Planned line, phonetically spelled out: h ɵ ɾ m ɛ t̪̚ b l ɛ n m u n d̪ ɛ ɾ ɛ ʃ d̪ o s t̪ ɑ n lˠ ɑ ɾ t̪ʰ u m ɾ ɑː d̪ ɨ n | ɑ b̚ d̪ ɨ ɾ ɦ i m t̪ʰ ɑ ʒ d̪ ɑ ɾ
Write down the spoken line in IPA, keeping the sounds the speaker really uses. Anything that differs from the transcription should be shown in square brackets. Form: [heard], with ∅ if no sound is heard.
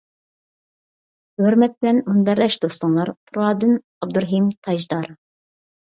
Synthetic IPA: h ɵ ɾ m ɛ t̪̚ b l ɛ n m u n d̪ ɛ ɾ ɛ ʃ d̪ o s t̪ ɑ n lˠ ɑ ɾ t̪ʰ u [∅] ɾ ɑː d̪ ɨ n | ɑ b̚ d̪ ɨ ɾ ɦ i m t̪ʰ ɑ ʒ d̪ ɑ ɾ